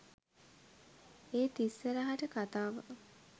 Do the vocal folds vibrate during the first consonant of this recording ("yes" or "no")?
no